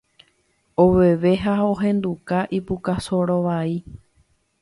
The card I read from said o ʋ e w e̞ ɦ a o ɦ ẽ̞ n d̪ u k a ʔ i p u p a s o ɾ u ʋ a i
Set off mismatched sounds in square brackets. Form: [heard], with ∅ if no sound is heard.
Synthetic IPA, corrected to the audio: o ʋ e [ʋ] e̞ ɦ a o ɦ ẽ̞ n d̪ u k a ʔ i p u [k] a s o ɾ [o] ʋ a i